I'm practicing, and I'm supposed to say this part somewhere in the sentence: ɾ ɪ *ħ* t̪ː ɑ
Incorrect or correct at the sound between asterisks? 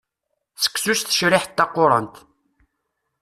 correct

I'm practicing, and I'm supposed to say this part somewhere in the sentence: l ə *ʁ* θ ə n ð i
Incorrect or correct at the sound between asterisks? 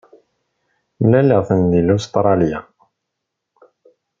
correct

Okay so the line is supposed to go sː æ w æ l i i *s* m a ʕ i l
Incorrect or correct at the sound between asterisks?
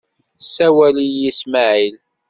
correct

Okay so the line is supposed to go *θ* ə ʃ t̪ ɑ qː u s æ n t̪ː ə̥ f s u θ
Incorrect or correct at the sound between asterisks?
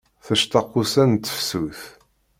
correct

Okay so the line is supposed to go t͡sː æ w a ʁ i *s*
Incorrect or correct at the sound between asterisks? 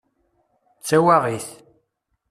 incorrect: θ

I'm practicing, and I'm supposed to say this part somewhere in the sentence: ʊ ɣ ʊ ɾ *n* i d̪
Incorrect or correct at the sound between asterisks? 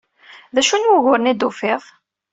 correct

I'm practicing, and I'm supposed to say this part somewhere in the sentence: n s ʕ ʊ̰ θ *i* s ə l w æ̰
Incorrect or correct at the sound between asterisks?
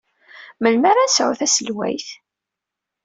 incorrect: æ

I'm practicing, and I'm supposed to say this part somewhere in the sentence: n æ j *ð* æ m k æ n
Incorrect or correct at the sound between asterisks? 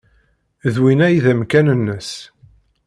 correct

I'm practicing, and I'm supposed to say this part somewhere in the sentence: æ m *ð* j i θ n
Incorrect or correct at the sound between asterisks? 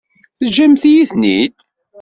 incorrect: θ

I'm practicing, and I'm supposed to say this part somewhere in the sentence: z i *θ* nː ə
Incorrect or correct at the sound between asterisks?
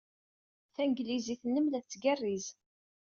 correct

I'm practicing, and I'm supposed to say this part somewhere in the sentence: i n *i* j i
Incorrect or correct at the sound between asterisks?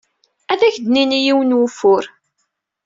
correct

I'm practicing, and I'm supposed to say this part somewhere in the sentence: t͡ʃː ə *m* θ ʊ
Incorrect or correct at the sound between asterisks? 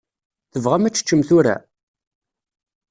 correct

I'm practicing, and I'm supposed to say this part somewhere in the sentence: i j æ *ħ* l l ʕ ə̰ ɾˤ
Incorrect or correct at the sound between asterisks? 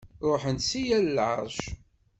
incorrect: none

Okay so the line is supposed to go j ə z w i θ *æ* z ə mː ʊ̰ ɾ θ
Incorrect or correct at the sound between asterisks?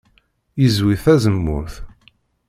correct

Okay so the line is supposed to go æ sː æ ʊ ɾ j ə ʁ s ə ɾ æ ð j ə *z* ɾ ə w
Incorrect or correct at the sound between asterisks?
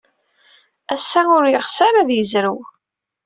correct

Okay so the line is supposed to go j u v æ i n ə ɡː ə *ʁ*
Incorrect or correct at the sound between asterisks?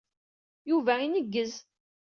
incorrect: z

